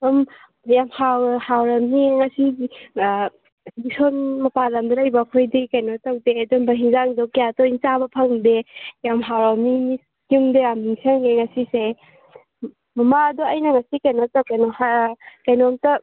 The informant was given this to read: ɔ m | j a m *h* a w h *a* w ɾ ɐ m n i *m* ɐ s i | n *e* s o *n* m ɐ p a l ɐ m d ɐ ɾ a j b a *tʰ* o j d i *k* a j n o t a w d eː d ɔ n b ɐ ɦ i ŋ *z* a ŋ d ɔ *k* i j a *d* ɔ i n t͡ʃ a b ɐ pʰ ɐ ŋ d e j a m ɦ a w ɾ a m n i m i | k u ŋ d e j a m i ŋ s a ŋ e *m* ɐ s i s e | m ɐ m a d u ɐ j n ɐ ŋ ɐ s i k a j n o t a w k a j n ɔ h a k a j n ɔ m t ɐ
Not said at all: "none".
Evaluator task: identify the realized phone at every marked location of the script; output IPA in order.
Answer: h, a, ŋ, i, n, kʰ, k, z, k, t, ŋ

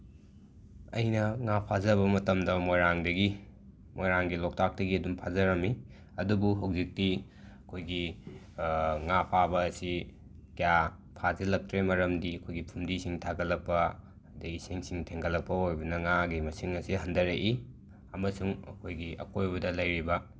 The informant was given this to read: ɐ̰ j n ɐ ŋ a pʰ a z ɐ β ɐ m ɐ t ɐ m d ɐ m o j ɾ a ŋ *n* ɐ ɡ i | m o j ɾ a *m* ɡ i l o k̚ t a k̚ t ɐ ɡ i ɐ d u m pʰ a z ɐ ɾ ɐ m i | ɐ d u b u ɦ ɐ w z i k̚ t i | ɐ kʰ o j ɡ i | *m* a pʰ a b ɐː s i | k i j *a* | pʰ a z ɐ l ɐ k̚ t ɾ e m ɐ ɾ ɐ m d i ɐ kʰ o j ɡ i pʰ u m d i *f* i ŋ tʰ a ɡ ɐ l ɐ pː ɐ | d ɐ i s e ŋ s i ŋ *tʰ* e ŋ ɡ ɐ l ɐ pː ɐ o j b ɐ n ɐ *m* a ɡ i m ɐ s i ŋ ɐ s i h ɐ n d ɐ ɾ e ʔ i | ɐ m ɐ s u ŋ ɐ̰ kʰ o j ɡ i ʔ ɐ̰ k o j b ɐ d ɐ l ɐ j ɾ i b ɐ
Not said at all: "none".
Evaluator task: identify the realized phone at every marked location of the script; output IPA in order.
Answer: d, ŋ, ŋ, a, s, tʰ, ŋ

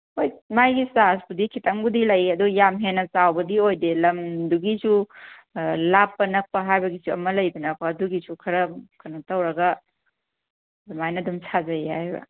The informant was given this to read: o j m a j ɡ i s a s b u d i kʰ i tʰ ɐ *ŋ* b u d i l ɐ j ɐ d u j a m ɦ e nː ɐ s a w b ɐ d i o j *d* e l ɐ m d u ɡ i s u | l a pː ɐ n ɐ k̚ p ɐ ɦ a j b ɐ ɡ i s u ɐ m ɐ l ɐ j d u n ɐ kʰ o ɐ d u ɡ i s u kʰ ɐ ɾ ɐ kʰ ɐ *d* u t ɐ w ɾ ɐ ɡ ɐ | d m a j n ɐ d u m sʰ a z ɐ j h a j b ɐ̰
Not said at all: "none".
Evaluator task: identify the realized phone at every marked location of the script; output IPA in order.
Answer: ŋ, d, n

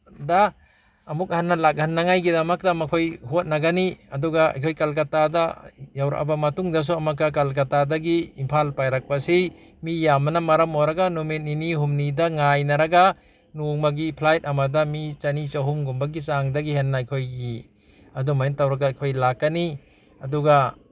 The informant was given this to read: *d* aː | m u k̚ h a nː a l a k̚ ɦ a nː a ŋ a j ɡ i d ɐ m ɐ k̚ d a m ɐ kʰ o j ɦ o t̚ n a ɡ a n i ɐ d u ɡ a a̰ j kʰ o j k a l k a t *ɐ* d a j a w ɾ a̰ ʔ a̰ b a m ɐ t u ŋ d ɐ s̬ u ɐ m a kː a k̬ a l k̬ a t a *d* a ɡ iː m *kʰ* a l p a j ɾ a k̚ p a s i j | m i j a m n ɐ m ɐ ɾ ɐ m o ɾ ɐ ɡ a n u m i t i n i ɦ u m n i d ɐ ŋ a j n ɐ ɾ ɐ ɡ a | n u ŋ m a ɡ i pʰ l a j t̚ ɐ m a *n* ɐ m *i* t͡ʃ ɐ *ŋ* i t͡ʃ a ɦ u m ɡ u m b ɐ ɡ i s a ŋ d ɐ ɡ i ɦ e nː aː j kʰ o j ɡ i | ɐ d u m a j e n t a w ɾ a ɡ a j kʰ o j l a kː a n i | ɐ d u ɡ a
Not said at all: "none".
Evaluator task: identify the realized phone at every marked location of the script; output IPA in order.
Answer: d, a, d, pʰ, d, i, n

